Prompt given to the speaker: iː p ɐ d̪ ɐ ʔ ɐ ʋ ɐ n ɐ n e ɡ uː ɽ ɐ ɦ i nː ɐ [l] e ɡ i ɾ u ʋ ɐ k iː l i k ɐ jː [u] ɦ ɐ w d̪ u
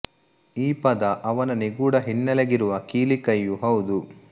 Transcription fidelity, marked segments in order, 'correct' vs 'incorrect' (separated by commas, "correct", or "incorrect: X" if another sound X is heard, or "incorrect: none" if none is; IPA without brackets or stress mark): correct, correct